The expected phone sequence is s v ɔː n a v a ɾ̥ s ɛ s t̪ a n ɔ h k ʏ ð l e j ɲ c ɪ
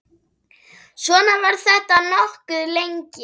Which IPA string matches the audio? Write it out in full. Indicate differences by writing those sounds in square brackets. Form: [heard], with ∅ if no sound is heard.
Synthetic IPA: s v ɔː n a v a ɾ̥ [θ] ɛ [h] t̪ a n ɔ h k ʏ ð l e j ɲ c ɪ